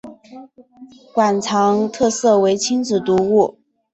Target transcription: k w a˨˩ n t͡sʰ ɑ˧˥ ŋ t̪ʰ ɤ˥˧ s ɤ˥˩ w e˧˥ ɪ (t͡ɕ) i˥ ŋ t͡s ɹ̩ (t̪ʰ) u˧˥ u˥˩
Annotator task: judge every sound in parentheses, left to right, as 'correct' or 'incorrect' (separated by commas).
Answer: incorrect, incorrect